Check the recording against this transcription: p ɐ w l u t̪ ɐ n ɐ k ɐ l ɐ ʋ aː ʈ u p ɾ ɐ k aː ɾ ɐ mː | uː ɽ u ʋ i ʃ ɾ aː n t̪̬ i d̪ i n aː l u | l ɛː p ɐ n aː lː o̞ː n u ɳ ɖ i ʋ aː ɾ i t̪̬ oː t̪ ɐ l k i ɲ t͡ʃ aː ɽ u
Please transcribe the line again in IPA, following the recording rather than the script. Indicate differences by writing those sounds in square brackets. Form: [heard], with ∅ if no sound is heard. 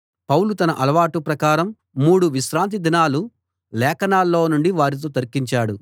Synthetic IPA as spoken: p ɐ w l u t̪ ɐ n ɐ [ʔ] ɐ l ɐ ʋ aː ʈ u p ɾ ɐ k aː ɾ ɐ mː | uː ɽ u ʋ i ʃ ɾ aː n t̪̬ i d̪ i n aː l u | l ɛː [k] ɐ n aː lː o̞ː n u ɳ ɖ i ʋ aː ɾ i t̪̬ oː t̪ ɐ [ɾ] k i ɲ t͡ʃ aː ɽ u